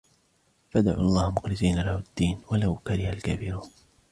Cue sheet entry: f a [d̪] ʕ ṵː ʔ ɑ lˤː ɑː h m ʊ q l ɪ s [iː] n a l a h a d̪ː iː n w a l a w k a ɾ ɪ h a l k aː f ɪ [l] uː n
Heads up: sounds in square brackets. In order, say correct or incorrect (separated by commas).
correct, correct, incorrect